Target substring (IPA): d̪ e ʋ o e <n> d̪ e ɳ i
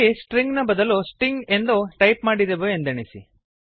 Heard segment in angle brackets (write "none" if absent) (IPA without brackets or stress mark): n